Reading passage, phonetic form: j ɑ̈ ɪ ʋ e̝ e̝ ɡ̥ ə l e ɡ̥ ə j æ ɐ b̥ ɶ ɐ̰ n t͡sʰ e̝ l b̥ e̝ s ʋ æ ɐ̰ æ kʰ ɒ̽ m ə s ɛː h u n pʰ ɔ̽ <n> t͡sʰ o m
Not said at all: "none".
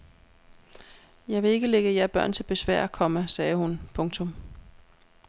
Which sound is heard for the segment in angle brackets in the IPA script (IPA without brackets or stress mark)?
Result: ŋ